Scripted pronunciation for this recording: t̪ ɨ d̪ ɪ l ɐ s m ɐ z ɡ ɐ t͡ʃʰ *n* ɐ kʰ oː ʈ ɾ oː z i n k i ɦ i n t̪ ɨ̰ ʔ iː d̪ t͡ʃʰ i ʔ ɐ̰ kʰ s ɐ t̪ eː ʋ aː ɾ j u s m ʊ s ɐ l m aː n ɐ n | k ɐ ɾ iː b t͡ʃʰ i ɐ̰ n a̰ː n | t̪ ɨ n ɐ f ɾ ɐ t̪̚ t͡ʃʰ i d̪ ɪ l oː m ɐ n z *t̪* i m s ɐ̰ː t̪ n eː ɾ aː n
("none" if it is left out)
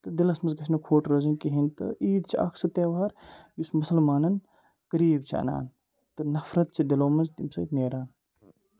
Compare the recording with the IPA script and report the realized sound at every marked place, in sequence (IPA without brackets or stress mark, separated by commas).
n, t̪